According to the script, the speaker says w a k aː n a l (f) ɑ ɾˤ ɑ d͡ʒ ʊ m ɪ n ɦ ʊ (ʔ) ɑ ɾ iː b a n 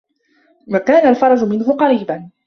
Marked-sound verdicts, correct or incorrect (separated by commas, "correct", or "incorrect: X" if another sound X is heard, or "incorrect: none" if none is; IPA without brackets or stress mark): correct, incorrect: q